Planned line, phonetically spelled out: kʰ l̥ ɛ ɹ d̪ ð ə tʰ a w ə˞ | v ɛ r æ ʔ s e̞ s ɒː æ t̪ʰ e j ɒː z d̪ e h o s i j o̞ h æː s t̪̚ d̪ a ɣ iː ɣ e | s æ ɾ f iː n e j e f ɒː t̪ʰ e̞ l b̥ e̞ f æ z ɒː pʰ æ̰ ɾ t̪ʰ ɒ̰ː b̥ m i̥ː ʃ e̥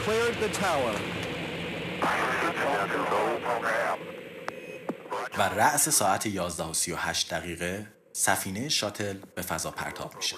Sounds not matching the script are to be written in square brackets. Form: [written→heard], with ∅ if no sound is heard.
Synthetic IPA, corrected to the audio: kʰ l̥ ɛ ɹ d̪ ð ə tʰ a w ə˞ | v [ɛ→æ] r æ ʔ s e̞ s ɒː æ t̪ʰ e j ɒː z d̪ [e→æ] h o s i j o̞ h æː [s→ʃ] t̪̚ d̪ [a→æ] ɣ iː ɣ e | s æ [ɾ→∅] f iː n e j e [f→ʃ] ɒː t̪ʰ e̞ l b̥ e̞ f æ z ɒː pʰ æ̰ ɾ t̪ʰ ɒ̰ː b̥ m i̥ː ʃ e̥